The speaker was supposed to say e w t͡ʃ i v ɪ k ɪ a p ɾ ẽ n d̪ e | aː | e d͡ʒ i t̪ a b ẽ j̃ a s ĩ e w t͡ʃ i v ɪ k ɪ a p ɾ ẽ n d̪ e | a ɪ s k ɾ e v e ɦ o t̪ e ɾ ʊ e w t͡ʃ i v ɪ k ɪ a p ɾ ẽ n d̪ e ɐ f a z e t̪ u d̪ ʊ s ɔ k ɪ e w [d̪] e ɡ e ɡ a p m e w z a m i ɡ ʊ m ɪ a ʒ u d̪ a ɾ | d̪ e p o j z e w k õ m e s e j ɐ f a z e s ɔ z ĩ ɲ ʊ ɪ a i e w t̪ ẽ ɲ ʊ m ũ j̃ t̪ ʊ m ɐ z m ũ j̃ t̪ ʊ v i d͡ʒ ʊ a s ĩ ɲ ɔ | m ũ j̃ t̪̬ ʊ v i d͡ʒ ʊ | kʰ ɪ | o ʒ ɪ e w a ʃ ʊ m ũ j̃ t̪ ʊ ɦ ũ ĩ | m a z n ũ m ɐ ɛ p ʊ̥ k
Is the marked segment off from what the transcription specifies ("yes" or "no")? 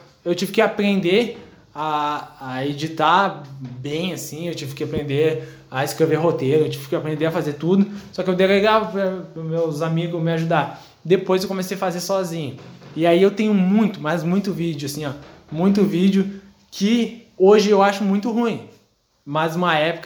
no